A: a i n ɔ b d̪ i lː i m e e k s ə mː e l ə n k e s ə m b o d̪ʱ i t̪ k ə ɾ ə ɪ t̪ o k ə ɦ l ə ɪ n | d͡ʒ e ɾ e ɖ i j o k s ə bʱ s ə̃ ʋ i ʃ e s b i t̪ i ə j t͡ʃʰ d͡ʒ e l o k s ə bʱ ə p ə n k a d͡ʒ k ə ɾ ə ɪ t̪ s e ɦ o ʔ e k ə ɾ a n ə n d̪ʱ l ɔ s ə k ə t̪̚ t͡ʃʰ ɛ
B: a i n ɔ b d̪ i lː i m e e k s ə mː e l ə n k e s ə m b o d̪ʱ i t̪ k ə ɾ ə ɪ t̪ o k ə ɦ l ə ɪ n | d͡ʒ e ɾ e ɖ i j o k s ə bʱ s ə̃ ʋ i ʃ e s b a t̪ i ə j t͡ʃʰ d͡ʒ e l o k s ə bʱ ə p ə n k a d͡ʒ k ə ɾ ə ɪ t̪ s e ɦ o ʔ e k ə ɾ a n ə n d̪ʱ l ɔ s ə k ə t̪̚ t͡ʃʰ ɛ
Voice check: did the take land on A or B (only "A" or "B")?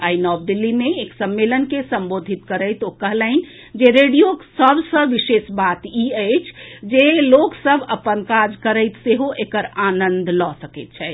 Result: B